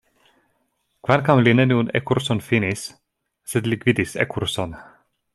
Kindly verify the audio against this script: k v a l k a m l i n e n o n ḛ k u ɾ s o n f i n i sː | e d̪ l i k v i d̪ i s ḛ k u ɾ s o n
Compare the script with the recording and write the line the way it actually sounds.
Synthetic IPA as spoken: k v a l k a m l i n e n u n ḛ k u ɾ s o n f i n i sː | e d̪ l i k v i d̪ i s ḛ k u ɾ s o n